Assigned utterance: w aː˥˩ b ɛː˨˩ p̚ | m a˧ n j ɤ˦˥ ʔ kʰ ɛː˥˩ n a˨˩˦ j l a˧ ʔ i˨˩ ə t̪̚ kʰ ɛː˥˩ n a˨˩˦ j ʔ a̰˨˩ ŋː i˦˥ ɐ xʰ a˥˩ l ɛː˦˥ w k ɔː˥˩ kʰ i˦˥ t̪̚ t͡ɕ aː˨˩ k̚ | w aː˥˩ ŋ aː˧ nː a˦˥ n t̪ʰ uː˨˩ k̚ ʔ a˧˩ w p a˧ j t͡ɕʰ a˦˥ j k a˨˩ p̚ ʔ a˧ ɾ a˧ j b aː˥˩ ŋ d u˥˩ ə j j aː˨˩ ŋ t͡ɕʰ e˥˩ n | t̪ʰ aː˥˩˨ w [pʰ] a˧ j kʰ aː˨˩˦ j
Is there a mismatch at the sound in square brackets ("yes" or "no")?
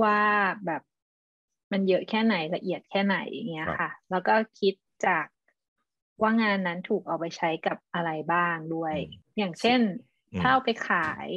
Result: yes